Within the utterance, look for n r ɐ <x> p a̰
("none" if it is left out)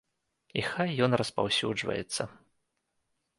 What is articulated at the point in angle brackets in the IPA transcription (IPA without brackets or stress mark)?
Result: s